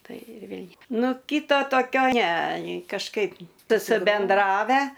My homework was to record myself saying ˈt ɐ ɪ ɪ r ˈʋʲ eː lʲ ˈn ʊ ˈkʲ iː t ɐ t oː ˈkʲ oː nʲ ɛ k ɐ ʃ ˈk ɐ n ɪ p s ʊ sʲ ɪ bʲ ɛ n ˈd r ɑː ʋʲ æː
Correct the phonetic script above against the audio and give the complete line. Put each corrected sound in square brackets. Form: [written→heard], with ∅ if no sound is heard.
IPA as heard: ˈt ɐ ɪ ɪ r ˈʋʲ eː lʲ ˈn ʊ ˈkʲ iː t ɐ t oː ˈkʲ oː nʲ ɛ k ɐ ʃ ˈk ɐ [n→∅] ɪ p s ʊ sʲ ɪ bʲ ɛ n ˈd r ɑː ʋʲ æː

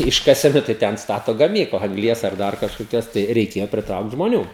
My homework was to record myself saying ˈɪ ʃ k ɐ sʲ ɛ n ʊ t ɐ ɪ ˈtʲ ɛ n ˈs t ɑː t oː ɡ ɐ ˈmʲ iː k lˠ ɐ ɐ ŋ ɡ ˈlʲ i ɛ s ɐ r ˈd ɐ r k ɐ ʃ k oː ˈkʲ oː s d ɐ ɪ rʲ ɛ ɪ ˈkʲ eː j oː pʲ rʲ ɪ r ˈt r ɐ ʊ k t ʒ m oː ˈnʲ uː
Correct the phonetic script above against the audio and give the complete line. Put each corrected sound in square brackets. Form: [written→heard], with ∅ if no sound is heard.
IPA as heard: ˈɪ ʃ k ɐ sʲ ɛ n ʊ t ɐ ɪ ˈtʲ ɛ n ˈs t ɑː t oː ɡ ɐ ˈmʲ iː k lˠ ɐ ɐ ŋ ɡ ˈlʲ i ɛ s ɐ r ˈd ɐ r k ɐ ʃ k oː ˈkʲ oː s [d→t] ɐ ɪ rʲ ɛ ɪ ˈkʲ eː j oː pʲ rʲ ɪ [r→∅] ˈt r ɐ ʊ k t ʒ m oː ˈnʲ uː

